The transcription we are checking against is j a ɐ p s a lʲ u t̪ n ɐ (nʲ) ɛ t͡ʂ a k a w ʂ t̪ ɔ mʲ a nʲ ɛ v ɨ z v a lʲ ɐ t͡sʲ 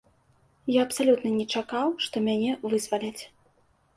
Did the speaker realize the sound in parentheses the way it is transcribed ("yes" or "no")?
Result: yes